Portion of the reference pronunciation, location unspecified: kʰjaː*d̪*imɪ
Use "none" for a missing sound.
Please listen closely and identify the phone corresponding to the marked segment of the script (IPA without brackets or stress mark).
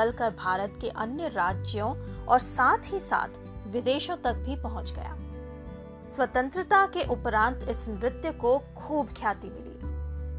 t̪